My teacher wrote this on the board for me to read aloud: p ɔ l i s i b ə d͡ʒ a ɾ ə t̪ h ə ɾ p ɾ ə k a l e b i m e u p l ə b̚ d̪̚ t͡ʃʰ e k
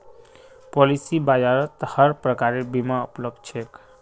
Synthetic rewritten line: p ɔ l i s i b a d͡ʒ a ɾ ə t̪ h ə ɾ p ɾ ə k a ɾ e b i m a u p l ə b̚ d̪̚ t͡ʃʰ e k